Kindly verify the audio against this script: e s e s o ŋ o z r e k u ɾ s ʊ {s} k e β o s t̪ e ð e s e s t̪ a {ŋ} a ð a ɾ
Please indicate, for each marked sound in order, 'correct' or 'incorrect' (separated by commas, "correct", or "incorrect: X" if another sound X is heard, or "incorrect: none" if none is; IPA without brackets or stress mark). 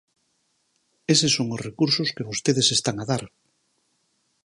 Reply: correct, correct